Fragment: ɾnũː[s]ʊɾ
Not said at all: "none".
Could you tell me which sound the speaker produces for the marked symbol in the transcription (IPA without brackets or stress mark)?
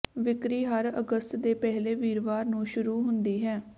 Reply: ʃ